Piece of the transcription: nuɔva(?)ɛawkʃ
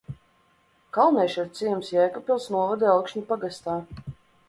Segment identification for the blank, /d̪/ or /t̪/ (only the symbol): d̪